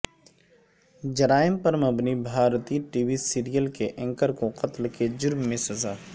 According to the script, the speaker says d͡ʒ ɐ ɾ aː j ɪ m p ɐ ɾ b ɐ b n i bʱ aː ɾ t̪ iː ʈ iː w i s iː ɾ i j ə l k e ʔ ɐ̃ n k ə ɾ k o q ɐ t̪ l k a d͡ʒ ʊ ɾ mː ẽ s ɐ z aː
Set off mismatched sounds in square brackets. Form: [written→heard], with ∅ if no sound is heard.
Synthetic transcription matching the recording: d͡ʒ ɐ ɾ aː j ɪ m p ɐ ɾ [b→m] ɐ b n i bʱ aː ɾ t̪ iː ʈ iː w i s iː ɾ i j ə l k e ʔ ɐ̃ [n→ŋ] k ə ɾ k o q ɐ t̪ l k [a→e] d͡ʒ ʊ ɾ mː ẽ s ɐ z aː